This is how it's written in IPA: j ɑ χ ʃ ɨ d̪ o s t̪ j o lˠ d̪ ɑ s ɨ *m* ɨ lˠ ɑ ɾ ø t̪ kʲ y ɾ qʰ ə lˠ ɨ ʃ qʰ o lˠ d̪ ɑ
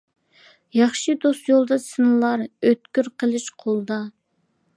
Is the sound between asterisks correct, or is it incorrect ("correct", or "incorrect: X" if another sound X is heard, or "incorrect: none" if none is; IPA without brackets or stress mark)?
incorrect: n